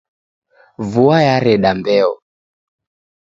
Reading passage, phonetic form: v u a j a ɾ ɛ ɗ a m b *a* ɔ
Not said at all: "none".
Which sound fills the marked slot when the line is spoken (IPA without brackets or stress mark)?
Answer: ɛ